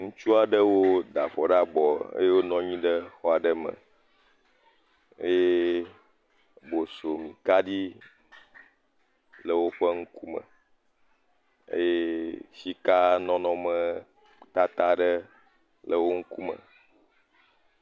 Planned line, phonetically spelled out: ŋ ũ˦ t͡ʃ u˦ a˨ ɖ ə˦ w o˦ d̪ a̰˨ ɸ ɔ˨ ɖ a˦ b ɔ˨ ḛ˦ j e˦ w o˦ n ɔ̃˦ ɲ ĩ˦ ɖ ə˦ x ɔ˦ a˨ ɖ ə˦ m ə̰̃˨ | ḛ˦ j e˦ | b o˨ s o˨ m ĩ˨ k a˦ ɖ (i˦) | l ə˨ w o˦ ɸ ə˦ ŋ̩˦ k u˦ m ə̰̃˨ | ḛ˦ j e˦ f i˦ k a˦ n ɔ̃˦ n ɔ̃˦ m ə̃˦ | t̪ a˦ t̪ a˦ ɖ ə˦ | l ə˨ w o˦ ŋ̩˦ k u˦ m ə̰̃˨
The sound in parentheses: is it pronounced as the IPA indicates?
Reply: yes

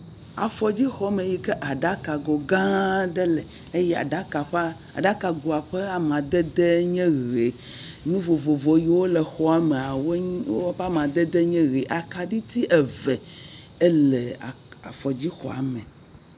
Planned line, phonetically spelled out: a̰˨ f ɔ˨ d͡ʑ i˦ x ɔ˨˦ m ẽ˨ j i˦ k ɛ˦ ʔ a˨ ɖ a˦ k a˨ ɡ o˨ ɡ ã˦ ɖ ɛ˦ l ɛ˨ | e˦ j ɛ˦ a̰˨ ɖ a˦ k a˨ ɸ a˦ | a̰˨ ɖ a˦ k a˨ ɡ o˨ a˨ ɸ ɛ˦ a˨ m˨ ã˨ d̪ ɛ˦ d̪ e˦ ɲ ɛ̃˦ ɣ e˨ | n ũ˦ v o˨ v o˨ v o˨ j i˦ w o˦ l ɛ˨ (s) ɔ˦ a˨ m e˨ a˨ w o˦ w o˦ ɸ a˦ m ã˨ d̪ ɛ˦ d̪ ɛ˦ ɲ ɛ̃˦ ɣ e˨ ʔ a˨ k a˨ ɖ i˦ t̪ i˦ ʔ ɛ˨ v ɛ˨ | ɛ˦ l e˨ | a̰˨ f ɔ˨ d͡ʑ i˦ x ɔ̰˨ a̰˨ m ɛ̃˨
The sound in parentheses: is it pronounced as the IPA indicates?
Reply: no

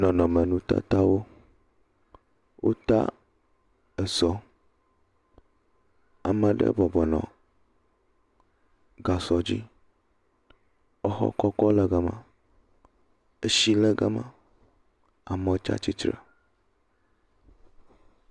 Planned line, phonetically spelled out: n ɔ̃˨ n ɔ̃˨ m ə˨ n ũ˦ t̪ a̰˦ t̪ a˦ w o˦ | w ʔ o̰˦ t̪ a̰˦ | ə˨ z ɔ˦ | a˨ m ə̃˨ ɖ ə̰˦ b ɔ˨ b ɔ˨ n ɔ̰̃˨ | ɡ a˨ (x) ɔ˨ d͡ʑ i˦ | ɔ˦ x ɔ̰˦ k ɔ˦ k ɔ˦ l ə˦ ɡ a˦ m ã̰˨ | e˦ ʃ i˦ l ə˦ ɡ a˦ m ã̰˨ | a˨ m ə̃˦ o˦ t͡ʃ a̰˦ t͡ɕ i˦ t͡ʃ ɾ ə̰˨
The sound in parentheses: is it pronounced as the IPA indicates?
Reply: no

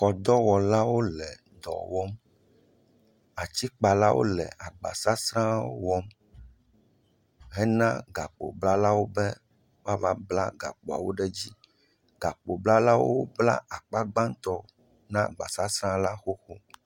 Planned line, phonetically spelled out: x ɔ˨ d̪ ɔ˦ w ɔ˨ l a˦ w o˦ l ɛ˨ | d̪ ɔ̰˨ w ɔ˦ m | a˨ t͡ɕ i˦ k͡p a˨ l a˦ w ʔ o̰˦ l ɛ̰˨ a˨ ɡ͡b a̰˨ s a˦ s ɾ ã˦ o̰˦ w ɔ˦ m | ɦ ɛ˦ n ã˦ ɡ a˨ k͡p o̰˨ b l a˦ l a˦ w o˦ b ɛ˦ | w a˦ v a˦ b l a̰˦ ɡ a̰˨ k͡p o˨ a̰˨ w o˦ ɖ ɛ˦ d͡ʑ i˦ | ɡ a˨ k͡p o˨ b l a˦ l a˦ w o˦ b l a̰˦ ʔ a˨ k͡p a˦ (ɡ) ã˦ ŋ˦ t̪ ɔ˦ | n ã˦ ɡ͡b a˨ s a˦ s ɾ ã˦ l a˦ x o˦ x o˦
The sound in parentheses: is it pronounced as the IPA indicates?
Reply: no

